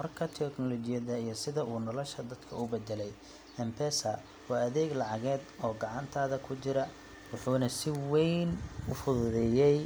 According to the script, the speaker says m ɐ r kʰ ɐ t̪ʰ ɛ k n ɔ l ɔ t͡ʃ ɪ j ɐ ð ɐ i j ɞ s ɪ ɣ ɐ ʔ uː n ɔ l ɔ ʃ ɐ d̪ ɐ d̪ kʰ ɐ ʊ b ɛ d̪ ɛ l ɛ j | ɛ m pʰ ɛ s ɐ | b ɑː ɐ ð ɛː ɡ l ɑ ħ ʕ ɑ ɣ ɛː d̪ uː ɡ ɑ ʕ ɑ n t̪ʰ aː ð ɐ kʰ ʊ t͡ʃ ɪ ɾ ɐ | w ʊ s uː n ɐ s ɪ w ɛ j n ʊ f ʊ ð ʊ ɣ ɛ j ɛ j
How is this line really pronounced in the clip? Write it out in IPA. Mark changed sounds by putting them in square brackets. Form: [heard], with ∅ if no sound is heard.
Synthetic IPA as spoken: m ɐ r kʰ ɐ t̪ʰ ɛ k n ɔ l ɔ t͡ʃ ɪ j ɐ ð ɐ i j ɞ s ɪ [ð] ɐ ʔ uː n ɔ l ɔ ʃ ɐ d̪ ɐ d̪ kʰ ɐ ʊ b ɛ d̪ ɛ l ɛ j | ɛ m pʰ ɛ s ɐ | [w] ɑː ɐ ð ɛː ɡ l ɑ [∅] ʕ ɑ ɣ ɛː d̪ [ɔː] ɡ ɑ ʕ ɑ n t̪ʰ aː ð ɐ kʰ ʊ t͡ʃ ɪ ɾ ɐ | w ʊ [ħ] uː n ɐ s ɪ w ɛ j n ʊ f ʊ ð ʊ [ð] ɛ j ɛ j